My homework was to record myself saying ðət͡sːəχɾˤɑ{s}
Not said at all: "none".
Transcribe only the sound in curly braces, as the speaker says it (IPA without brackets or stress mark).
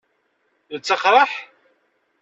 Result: ħ